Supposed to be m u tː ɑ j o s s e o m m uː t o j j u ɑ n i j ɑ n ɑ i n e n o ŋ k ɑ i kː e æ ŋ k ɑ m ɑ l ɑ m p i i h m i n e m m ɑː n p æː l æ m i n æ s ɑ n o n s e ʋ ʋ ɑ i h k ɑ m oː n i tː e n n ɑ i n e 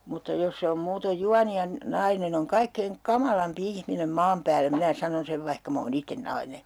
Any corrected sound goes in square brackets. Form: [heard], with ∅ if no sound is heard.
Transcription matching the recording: m u tː ɑ j o s s e o m m uː t o j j u ɑ n i j ɑ n ɑ i n e n o ŋ k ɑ i kː e [i] ŋ k ɑ m ɑ l ɑ m p i i h m i n e m m ɑː [m] p æː [lː] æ m i n æ s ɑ n o n s e ʋ ʋ ɑ i h k ɑ m oː n i tː e n n ɑ i n e

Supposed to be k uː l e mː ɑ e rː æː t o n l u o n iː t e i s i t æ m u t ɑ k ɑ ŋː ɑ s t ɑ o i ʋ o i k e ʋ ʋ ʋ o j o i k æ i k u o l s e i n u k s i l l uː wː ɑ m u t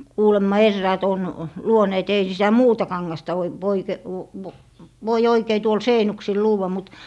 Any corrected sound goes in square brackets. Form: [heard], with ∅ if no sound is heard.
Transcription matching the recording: k uː l e mː ɑ e rː æː t o n l u o n [eː] t e i s i t æ m [uː] t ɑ k ɑ ŋː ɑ s t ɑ o i ʋ o i k e ʋ ʋ ʋ o [i] o i k [e] i [t] u o l s e i n u k s i l l uː wː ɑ m u t

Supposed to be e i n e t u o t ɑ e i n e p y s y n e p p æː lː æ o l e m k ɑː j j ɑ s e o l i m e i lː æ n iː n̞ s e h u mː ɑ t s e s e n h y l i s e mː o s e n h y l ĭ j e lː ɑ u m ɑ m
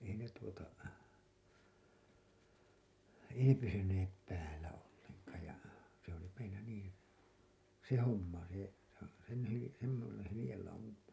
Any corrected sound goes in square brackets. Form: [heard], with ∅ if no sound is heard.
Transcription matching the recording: e i n e t u o t ɑ e i n e p y s y n e p p æː lː æ o [lː] e [ŋ] k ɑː j j ɑ s e o l i m e i lː æ n iː n̞ s e h [o] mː ɑ [∅] s e s e n h y l i s e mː o s e n h y l ĭ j e lː ɑ u m ɑ m

